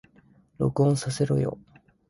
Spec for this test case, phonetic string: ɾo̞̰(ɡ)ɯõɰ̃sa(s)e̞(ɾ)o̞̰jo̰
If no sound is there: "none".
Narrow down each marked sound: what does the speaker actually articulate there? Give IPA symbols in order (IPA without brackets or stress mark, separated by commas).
k, s, ɾ